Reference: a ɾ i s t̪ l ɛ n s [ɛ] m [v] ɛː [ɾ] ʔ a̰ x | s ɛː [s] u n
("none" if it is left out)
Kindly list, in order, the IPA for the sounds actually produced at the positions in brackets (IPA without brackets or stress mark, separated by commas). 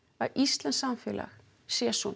a, f, l, s